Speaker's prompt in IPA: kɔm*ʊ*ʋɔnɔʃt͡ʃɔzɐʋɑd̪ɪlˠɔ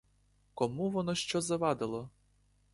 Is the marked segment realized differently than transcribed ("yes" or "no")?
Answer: yes